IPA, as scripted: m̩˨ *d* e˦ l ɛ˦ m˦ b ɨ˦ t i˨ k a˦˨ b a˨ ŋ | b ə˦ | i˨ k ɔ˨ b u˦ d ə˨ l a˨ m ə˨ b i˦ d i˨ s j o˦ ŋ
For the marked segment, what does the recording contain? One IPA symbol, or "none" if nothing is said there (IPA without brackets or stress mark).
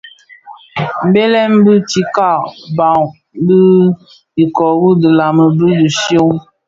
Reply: b